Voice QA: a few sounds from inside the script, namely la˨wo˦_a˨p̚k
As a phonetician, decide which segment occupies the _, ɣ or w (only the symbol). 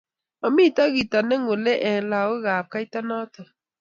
ɣ